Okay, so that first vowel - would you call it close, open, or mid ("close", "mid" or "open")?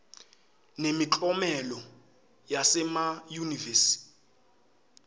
mid